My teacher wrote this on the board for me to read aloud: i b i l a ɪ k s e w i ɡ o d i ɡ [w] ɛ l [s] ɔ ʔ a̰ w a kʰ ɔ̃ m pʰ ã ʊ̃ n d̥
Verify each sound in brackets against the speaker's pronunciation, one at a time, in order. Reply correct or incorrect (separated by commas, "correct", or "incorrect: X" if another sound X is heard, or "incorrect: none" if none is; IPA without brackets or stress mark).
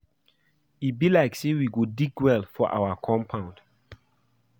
correct, incorrect: f